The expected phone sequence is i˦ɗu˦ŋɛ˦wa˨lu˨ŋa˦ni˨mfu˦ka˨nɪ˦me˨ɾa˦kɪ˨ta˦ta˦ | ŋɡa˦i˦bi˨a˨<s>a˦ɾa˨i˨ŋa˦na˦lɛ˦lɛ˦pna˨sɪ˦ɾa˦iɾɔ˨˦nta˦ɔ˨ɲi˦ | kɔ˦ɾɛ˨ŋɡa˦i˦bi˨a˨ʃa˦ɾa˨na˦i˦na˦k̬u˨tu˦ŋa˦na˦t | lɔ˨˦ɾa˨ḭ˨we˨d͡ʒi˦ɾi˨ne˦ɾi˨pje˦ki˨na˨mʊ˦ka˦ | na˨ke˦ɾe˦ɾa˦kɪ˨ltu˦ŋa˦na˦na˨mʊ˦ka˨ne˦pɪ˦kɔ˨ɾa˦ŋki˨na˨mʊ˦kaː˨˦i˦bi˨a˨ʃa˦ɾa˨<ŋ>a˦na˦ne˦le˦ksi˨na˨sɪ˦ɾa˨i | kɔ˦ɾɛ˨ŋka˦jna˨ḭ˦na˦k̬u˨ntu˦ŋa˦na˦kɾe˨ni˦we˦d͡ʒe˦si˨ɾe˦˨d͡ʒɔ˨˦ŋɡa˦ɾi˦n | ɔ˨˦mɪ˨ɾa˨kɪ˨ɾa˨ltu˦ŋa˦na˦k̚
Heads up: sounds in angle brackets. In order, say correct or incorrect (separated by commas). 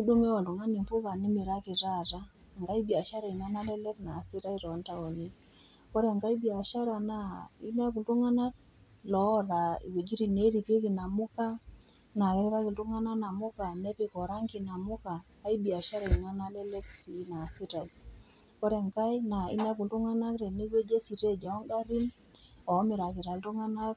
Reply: incorrect, correct